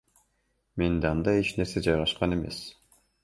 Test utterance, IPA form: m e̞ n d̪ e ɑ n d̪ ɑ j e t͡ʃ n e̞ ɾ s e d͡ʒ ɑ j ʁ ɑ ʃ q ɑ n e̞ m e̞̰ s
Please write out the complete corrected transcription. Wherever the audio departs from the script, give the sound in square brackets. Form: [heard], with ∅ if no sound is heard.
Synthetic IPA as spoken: m e̞ n d̪ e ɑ n d̪ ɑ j e t͡ʃ n e̞ ɾ s e d͡ʒ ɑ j ʁ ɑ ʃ q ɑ n e̞ m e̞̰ s